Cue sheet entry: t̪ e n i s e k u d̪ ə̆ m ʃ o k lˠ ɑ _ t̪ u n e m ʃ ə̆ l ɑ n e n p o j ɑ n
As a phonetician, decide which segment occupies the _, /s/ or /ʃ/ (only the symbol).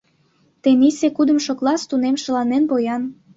s